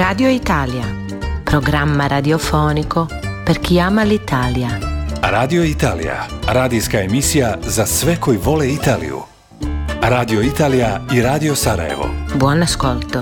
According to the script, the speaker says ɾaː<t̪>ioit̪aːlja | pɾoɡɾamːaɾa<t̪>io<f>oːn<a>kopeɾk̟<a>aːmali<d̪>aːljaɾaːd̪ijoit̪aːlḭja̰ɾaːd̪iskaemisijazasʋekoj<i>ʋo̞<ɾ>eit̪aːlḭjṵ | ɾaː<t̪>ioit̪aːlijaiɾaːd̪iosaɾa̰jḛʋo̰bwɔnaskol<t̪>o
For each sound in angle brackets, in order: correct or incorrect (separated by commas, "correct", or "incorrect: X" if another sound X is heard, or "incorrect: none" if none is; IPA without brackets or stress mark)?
incorrect: d̪, incorrect: d̪, correct, incorrect: i, incorrect: i, incorrect: t̪, correct, incorrect: l, incorrect: d̪, correct